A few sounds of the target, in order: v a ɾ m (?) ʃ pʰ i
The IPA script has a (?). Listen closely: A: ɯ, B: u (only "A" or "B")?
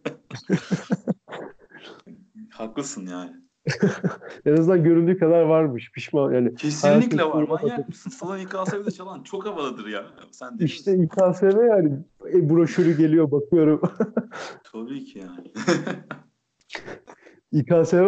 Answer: A